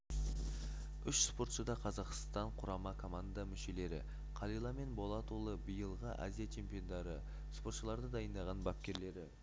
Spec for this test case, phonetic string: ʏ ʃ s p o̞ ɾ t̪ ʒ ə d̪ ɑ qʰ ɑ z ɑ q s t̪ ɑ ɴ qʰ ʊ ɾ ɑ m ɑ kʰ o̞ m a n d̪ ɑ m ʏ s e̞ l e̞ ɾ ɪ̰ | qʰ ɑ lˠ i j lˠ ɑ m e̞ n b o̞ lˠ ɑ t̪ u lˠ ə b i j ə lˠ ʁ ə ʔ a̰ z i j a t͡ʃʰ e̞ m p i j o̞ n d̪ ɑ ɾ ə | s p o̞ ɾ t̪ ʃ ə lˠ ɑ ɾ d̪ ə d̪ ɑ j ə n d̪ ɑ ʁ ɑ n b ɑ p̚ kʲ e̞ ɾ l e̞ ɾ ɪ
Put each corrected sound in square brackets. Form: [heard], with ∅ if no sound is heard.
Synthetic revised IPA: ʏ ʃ s p o̞ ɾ t̪ [ʃ] ə d̪ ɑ qʰ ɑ z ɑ q s t̪ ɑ ɴ qʰ ʊ ɾ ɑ m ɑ kʰ o̞ m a n d̪ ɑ m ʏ [ʃ] e̞ l e̞ ɾ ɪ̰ | qʰ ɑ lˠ i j lˠ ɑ m e̞ n b o̞ lˠ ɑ t̪ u lˠ ə b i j ə lˠ ʁ ə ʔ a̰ z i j a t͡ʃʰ e̞ m p i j o̞ n d̪ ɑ ɾ ə | s p o̞ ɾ t̪ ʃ ə lˠ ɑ ɾ d̪ ə d̪ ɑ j ə n d̪ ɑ ʁ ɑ n b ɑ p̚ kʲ e̞ ɾ l e̞ ɾ ɪ